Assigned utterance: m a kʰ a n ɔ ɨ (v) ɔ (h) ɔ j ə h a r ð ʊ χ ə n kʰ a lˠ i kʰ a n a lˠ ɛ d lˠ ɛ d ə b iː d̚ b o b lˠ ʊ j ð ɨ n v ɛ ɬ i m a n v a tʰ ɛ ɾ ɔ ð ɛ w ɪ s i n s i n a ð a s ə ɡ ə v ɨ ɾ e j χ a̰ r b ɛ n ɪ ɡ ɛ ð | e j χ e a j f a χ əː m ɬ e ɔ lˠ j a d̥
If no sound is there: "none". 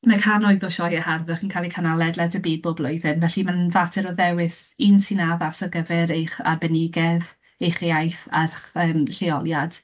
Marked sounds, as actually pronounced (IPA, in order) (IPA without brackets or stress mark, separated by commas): ð, ʃ